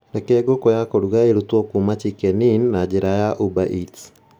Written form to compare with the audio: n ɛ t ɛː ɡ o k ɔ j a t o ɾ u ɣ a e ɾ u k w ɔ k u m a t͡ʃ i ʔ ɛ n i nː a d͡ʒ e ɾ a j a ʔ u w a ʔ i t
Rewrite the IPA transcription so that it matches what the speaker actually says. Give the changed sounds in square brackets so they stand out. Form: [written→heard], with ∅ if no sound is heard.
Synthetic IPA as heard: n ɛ [t→k] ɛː ɡ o k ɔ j a [t→k] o ɾ u ɣ a e ɾ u [k→t] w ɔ k u m a t͡ʃ i [ʔ→k] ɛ n i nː a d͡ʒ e ɾ a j a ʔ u [w→b] a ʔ i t